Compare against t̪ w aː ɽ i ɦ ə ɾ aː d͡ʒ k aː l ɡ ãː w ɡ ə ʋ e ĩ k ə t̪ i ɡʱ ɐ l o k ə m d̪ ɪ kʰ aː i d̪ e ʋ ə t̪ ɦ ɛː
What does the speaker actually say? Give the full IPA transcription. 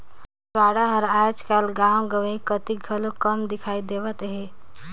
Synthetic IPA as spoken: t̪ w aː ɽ a ɦ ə ɾ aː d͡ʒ k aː l ɡ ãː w ɡ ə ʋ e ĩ k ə t̪ i ɡʱ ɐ l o k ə m d̪ ɪ kʰ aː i d̪ e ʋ ə t̪ ɦ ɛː